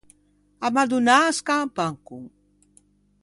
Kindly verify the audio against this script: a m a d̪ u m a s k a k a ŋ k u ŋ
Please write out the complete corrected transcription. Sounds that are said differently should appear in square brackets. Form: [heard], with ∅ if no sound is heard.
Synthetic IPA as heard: a m a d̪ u [n] a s k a [p] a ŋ k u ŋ